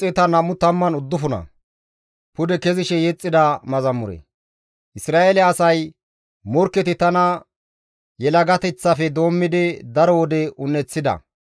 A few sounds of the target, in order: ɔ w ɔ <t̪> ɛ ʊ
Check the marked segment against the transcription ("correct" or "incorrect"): incorrect